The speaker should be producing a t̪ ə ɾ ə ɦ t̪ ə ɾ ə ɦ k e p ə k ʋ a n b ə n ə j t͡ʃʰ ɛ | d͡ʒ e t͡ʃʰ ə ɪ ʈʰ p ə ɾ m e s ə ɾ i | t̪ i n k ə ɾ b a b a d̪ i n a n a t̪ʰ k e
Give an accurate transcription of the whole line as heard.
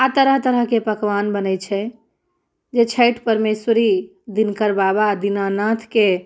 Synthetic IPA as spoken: a t̪ ə ɾ ə ɦ t̪ ə ɾ ə ɦ k e p ə k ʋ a n b ə n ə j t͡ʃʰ ɛ | d͡ʒ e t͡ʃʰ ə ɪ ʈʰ p ə ɾ m e s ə ɾ i | d̪ i n k ə ɾ b a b a d̪ i n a n a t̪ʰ k e